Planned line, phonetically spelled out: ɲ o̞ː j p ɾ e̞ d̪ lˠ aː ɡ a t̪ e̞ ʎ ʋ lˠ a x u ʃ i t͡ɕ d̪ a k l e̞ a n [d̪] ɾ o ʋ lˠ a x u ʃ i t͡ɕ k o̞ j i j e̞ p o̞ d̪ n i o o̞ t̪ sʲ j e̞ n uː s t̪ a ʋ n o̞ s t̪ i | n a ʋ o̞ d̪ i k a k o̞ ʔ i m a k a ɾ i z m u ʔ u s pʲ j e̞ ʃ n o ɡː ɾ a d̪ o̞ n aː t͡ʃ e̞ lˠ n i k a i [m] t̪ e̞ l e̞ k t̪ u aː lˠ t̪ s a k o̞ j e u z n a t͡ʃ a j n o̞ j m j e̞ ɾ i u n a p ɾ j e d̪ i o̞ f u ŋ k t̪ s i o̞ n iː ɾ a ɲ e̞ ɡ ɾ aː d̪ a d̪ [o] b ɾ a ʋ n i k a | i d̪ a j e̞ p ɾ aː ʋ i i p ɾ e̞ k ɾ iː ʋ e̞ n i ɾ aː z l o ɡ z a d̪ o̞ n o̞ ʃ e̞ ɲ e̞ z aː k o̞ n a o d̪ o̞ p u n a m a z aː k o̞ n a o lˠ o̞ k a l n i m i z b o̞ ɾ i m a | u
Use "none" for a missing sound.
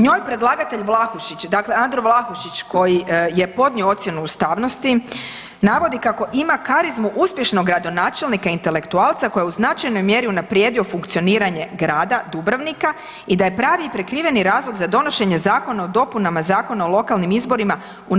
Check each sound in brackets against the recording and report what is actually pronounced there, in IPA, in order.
d̪, n, u

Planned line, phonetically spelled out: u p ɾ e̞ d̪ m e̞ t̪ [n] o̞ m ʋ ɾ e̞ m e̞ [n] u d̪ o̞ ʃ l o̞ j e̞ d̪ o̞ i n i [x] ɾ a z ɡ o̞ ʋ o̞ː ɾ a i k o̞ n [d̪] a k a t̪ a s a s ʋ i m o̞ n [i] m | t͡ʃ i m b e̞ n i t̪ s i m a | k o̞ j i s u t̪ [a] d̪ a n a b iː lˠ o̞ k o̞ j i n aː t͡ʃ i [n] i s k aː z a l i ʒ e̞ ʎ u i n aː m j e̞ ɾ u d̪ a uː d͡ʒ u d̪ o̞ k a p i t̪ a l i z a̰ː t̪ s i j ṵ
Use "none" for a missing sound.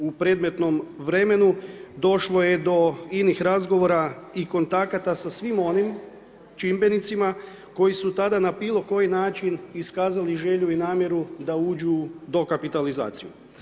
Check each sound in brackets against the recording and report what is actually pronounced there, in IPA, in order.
n, n, x, t̪, i, a, n

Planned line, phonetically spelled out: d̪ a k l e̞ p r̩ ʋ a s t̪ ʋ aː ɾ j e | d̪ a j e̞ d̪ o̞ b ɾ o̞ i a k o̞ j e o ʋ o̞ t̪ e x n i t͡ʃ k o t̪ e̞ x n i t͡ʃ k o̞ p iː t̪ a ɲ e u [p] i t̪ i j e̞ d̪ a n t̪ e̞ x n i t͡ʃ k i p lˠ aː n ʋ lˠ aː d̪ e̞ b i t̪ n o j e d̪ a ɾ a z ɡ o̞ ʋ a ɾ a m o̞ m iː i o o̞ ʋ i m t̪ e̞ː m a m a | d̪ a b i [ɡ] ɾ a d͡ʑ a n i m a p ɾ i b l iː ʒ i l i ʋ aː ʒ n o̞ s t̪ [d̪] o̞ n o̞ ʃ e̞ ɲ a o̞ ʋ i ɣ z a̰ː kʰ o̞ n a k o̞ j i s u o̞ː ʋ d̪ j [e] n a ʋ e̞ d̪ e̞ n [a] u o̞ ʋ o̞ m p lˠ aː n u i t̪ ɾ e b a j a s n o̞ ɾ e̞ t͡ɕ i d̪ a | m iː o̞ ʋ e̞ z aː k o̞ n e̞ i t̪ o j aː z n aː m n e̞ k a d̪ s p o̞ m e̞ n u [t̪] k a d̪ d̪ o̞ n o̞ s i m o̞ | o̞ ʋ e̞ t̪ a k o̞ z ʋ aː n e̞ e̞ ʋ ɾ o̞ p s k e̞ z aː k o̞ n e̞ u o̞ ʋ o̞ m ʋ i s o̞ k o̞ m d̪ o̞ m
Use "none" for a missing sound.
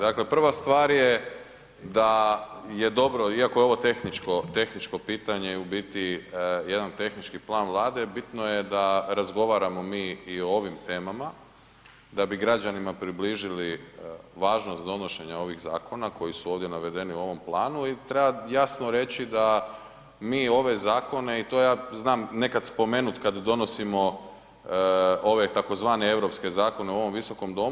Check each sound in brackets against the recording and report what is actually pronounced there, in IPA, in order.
b, ɡ, d̪, e, i, t̪

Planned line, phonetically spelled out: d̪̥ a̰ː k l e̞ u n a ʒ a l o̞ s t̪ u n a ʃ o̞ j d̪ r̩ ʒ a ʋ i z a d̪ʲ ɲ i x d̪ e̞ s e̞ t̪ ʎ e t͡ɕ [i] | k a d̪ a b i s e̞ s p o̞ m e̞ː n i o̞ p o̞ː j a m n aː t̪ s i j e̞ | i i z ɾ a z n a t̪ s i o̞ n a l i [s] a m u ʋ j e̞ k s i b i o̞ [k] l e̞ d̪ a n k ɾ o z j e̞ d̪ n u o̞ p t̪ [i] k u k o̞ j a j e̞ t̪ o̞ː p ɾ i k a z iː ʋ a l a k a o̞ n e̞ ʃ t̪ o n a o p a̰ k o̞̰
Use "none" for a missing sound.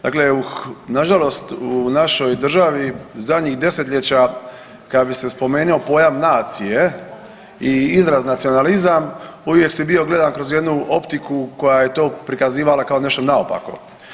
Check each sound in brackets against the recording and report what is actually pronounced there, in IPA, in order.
a, z, ɡ, i

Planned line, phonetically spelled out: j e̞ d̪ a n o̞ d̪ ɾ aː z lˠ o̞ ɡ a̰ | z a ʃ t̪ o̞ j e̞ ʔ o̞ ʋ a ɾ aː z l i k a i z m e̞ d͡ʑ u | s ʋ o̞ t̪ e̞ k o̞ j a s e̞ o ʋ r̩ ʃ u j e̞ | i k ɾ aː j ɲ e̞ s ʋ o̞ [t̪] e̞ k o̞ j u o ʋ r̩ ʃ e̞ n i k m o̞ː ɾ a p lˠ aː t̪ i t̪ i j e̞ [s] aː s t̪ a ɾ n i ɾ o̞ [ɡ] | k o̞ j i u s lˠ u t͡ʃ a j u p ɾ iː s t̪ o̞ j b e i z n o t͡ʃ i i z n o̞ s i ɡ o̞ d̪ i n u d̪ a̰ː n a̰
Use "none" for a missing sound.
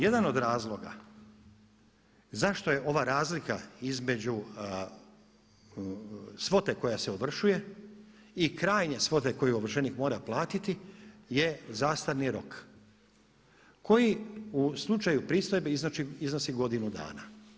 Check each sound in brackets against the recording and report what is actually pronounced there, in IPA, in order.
t̪, z, k

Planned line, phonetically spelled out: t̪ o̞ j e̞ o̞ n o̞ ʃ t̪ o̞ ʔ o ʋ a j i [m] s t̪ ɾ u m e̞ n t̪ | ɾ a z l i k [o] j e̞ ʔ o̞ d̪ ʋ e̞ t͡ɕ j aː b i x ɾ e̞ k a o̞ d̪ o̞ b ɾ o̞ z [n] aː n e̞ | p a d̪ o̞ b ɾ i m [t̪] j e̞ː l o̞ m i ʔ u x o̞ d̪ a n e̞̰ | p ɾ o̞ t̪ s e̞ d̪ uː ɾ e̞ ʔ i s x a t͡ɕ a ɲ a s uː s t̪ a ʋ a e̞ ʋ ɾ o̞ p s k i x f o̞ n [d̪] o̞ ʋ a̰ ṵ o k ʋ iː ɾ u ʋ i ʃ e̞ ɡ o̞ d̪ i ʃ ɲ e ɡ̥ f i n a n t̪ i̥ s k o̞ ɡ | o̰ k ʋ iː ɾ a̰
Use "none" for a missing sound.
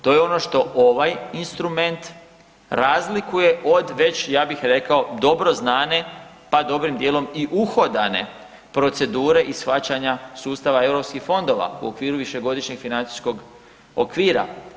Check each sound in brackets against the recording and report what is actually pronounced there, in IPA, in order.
n, u, n, d̪, d̪

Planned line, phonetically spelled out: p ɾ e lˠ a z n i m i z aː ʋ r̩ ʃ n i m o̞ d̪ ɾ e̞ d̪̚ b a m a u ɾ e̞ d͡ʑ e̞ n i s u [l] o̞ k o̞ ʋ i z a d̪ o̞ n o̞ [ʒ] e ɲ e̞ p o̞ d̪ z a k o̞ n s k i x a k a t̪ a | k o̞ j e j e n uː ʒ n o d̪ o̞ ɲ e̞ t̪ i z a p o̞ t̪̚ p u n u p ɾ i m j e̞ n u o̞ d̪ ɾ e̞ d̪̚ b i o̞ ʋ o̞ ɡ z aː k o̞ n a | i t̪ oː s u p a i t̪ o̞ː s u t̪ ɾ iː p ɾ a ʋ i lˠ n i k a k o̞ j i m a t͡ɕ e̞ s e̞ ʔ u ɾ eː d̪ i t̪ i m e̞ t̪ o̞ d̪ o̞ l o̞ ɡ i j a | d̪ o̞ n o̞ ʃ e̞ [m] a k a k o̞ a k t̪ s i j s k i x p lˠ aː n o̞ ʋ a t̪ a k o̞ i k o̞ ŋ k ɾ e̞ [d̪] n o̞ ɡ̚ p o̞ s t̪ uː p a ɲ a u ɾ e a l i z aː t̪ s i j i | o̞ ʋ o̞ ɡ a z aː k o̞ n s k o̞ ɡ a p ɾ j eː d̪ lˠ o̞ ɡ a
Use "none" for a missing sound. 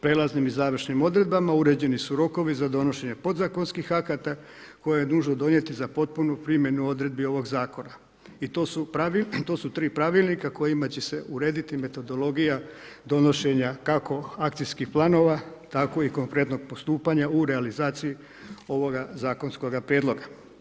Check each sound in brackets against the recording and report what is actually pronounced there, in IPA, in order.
ɾ, ʃ, ɲ, t̪

